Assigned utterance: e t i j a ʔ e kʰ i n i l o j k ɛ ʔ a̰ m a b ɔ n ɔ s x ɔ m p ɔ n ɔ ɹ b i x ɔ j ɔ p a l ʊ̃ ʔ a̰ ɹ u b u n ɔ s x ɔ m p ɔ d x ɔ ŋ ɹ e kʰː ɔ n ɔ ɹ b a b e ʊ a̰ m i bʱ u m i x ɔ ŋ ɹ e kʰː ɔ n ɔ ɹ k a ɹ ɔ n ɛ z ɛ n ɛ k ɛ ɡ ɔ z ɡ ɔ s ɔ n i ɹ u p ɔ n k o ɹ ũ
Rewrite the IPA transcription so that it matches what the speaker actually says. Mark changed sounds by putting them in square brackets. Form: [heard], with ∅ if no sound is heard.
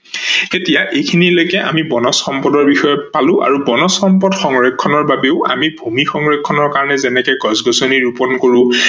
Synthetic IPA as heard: e t i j a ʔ e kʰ i n i l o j k ɛ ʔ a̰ m [i] b ɔ n ɔ s x ɔ m p ɔ [d] ɔ ɹ b i x ɔ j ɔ p a l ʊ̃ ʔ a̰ ɹ u b [ɔ] n ɔ s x ɔ m p ɔ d x ɔ ŋ ɹ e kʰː ɔ n ɔ ɹ b a b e ʊ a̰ m i bʱ u m i x ɔ ŋ ɹ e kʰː ɔ n ɔ ɹ k a ɹ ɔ n ɛ z ɛ n ɛ k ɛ ɡ ɔ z ɡ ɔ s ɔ n i ɹ u p ɔ n k o ɹ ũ